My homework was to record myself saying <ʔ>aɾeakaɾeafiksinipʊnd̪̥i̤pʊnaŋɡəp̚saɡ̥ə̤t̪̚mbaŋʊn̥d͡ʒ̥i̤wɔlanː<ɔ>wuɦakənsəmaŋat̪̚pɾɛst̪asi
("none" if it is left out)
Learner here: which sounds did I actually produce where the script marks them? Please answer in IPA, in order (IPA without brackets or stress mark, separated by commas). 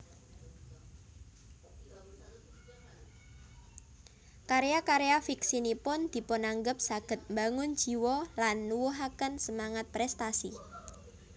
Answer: k, u